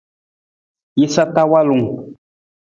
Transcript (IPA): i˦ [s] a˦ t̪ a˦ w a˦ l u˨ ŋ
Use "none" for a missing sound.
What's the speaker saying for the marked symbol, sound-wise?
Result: s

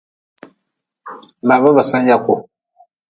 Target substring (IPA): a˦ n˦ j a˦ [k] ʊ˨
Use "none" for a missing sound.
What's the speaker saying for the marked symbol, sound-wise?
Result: k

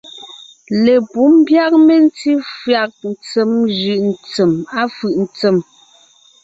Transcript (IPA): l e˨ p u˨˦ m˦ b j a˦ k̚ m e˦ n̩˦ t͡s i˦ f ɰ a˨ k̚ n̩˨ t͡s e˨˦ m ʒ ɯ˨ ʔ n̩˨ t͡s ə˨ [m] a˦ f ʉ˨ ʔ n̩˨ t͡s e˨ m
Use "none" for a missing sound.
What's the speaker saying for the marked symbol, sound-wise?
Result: m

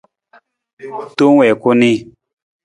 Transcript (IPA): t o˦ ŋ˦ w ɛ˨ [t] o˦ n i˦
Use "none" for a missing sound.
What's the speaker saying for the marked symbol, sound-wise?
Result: k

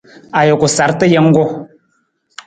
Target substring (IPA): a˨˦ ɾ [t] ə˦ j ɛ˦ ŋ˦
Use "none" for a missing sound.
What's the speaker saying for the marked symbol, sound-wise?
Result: t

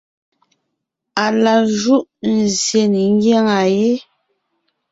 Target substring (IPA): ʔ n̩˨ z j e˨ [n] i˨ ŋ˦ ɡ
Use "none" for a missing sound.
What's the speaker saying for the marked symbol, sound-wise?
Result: n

